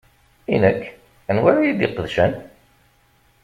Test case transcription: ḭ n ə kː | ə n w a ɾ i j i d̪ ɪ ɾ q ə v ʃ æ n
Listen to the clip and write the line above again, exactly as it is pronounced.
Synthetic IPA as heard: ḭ n ə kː | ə n w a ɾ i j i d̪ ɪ q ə ð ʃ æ n